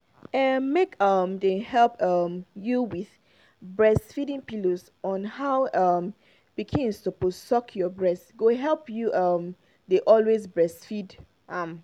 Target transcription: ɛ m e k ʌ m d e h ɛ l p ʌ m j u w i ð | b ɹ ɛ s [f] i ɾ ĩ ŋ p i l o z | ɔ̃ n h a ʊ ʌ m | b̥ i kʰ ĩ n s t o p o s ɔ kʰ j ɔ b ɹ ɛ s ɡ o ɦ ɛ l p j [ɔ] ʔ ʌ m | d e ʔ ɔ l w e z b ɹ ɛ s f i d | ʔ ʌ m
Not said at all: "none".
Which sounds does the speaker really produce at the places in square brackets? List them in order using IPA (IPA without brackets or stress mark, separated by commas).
f, u